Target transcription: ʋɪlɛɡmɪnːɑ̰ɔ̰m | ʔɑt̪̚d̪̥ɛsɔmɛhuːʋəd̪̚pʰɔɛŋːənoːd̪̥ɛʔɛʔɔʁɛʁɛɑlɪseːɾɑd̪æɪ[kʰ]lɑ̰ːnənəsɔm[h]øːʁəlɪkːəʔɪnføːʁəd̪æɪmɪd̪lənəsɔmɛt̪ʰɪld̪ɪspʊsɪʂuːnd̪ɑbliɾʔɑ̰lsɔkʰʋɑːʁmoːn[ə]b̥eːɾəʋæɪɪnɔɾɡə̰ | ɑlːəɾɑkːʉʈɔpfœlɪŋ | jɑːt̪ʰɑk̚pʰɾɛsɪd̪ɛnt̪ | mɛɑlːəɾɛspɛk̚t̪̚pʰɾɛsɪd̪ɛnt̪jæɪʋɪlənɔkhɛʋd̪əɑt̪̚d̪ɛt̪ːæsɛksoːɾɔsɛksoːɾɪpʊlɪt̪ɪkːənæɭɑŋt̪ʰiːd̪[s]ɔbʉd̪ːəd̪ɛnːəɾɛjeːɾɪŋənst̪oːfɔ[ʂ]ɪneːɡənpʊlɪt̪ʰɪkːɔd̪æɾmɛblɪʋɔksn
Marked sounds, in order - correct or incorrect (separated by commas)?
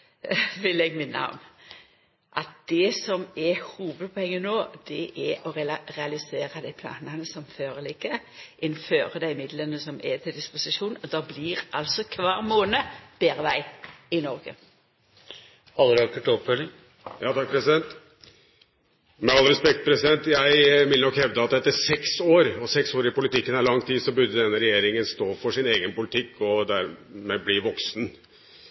incorrect, incorrect, correct, correct, correct